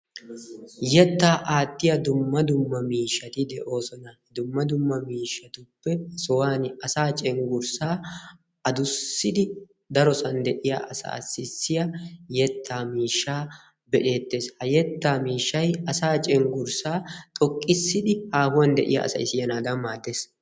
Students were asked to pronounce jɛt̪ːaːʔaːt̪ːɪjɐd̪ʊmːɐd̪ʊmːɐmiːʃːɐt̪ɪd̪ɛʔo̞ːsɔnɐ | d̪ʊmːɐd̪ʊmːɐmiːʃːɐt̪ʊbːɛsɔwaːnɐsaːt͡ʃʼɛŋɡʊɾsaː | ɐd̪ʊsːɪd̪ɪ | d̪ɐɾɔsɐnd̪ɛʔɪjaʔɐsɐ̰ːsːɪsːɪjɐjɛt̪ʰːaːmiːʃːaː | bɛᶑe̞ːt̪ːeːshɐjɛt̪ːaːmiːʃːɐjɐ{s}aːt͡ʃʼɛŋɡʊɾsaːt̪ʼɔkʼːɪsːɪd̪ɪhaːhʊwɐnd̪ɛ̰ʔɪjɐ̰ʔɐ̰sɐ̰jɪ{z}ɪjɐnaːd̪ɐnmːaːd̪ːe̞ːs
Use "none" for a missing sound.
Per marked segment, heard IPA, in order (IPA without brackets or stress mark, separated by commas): s, s